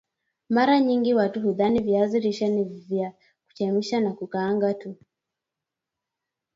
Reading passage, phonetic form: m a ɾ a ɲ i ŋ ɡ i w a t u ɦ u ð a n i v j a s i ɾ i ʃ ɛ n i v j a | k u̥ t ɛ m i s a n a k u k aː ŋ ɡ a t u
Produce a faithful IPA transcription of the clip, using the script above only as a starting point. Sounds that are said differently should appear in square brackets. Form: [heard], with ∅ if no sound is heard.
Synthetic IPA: m a ɾ a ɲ i ŋ ɡ i w a t u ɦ u ð a n i v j a [z] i ɾ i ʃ ɛ n i v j a | k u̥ [t͡ʃ] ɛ m i [ʃ] a n a k u k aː ŋ ɡ a t u